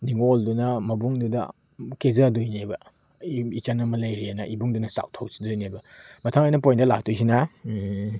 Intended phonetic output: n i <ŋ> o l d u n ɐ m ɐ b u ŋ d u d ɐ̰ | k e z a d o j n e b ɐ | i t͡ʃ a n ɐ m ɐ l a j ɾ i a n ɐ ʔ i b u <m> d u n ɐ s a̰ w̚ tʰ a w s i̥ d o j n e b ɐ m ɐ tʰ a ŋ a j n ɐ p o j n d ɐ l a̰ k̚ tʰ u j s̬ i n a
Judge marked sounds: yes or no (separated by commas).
yes, no